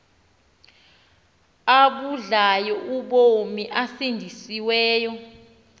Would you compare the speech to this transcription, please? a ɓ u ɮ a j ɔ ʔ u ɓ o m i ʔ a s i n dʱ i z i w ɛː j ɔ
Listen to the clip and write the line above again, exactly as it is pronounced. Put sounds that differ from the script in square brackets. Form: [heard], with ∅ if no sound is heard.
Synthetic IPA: a ɓ u ɮ a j ɔ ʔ u ɓ o m i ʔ a s i n dʱ i [s] i w ɛː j ɔ